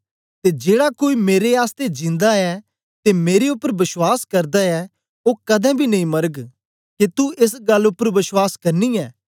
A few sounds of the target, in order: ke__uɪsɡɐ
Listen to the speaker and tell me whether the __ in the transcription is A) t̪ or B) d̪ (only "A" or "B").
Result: A